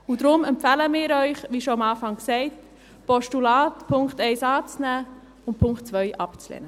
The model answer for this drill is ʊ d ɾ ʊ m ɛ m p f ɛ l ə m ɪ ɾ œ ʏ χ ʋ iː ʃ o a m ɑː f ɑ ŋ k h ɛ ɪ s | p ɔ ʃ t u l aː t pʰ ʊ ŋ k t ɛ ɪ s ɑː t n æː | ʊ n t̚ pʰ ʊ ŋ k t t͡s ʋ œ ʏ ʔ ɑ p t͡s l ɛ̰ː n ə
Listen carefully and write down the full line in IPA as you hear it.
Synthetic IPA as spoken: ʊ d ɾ ʊ m ɛ m p f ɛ l ə m ɪː ɾ œ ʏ χ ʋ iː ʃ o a m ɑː f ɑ ŋ k s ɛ ɪ t | p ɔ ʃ t u l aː t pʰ ʊ ŋ k t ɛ ɪ s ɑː t͡s n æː | ʊ n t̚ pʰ ʊ ŋ k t t͡s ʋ œ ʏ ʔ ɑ p t͡s l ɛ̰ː n ə